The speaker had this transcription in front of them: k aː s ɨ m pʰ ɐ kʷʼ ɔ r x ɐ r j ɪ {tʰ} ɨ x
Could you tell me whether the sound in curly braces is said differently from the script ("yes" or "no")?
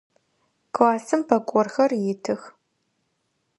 no